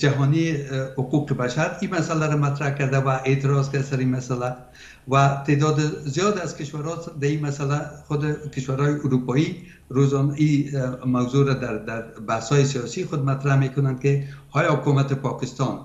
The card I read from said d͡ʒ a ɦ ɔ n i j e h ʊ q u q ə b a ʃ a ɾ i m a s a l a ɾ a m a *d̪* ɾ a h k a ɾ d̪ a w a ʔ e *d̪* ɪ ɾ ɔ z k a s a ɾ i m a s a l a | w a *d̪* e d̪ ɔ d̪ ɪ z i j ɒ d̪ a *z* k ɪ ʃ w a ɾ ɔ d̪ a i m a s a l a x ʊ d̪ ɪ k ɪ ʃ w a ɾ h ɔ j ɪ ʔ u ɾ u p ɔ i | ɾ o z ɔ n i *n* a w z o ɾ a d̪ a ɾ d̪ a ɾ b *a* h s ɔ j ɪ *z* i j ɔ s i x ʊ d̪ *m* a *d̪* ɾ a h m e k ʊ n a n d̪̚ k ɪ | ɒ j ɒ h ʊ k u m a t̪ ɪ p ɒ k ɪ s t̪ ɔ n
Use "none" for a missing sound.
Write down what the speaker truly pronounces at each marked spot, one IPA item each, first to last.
t̪, t̪, t̪, z, m, a, s, m, t̪

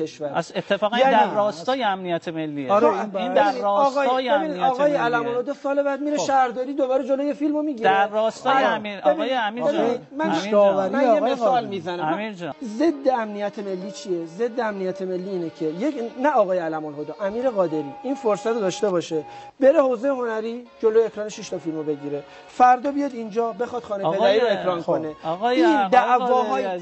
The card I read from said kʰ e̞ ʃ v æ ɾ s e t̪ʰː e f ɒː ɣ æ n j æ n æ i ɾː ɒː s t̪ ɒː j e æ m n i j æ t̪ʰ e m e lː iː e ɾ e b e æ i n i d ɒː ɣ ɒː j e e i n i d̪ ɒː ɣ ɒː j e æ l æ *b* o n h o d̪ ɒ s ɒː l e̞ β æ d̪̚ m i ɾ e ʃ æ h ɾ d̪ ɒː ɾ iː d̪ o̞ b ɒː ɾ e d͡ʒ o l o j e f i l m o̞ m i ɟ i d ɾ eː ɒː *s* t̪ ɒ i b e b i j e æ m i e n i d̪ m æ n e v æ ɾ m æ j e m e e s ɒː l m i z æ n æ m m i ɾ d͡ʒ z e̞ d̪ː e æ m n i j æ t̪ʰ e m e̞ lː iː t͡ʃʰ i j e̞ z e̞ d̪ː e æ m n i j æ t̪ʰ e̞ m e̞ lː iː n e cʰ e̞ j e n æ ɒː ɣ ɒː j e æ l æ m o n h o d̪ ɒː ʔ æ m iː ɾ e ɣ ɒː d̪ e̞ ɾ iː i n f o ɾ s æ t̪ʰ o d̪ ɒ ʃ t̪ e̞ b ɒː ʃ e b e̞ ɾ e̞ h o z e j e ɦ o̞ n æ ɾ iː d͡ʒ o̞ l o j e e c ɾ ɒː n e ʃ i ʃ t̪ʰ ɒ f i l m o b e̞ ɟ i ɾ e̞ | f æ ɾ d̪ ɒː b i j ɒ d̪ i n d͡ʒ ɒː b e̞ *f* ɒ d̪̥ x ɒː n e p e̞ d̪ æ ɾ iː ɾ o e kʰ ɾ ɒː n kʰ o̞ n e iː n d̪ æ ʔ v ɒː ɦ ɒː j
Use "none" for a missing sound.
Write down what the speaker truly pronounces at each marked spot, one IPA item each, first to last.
m, s, x

